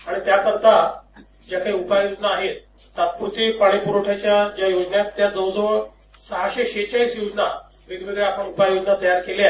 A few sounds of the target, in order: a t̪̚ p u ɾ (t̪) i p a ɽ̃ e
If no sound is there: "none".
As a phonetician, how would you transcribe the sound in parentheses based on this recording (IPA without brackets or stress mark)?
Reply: t̪